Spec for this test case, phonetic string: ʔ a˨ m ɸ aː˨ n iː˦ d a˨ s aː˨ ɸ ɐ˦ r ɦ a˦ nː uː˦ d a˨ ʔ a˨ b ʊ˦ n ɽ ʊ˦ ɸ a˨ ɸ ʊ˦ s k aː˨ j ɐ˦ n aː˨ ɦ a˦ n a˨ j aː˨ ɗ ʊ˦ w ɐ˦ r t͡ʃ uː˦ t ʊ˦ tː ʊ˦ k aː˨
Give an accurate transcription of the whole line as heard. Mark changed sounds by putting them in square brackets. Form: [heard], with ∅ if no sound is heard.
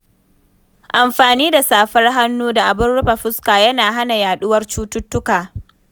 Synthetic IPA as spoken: ʔ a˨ m ɸ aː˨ n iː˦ d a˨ s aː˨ ɸ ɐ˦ r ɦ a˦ nː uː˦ d a˨ ʔ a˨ b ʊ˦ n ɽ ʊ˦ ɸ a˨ ɸ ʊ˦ s k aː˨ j ɐ˦ n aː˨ ɦ a˦ n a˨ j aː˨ ɗ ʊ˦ w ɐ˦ r t͡ʃ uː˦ t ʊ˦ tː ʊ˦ k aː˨